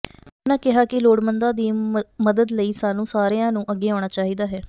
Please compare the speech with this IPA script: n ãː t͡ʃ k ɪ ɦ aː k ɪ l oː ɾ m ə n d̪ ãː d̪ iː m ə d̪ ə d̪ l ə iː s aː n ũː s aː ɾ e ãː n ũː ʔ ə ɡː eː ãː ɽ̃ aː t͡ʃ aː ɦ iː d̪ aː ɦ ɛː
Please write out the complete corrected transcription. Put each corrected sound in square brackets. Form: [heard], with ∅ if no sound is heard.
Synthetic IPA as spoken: n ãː [∅] k ɪ ɦ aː k ɪ l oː [ɽ] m ə n d̪ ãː d̪ iː m ə d̪ ə d̪ l ə iː s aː n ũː s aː ɾ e ãː n ũː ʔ ə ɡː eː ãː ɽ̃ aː t͡ʃ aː ɦ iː d̪ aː ɦ ɛː